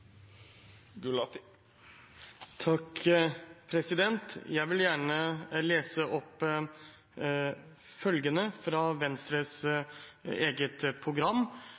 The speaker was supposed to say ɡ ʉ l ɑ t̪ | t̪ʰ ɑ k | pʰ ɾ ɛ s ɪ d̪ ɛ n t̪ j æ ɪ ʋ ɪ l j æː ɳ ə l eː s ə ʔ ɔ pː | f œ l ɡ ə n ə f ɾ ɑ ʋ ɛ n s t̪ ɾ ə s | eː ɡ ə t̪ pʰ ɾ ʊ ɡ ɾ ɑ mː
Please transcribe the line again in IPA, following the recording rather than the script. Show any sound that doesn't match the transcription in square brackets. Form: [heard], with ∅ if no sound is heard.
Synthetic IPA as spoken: ɡ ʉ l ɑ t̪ | t̪ʰ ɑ k | pʰ ɾ ɛ s ɪ d̪ ɛ n t̪ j æ ɪ ʋ ɪ l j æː ɳ ə l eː s ə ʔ ɔ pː | f œ l ɡ ə n ə f ɾ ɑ ʋ ɛ n s t̪ ɾ ə s | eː ɡ ə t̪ pʰ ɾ ʊ ɡ ɾ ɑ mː